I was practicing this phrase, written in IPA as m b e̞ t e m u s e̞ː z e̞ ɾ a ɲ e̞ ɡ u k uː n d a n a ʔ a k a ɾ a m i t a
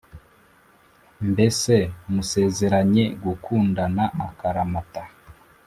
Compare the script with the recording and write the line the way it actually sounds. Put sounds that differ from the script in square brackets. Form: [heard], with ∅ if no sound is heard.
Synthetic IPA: m b e̞ [s] e m u s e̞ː z e̞ ɾ a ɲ e̞ ɡ u k uː n d a n a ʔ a k a ɾ a m [a] t a